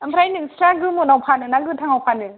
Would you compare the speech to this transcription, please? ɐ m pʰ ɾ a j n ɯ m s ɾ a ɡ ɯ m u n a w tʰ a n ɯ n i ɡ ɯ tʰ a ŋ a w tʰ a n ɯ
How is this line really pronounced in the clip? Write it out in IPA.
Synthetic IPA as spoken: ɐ m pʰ ɾ a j n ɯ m s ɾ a ɡ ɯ m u n a w pʰ a n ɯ n a ɡ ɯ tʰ a ŋ a w pʰ a n ɯ